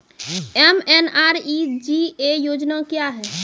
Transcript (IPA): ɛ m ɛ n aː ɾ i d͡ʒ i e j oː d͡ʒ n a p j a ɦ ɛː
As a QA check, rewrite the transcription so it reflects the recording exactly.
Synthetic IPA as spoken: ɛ m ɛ n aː ɾ i d͡ʒ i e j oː d͡ʒ n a k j a ɦ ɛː